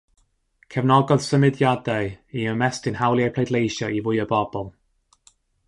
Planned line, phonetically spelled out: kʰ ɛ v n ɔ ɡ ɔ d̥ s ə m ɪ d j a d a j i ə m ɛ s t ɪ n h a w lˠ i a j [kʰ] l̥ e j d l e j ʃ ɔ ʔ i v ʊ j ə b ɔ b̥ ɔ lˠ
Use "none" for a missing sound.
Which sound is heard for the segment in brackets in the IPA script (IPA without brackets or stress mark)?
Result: pʰ